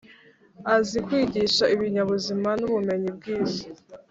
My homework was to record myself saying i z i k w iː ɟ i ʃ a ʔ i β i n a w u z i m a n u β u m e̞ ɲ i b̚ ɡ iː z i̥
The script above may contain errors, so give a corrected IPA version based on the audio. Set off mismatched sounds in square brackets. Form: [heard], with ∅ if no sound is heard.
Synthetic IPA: [a] z i k w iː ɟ i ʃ a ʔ i β i [ɲ] a [β] u z i m a n u β u m e̞ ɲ i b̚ ɡ iː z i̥